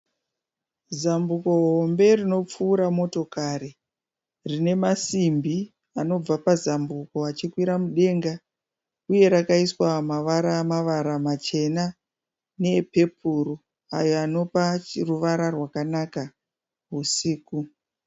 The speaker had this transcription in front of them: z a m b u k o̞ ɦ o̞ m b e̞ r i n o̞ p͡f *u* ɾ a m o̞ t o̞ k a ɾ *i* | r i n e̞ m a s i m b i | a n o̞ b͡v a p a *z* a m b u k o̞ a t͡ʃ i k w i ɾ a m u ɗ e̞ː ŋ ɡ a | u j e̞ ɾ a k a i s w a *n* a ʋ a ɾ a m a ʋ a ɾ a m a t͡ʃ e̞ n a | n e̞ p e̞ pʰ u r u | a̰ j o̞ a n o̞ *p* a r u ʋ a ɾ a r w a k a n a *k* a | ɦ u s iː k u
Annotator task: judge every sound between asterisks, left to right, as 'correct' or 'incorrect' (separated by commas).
incorrect, correct, correct, incorrect, correct, correct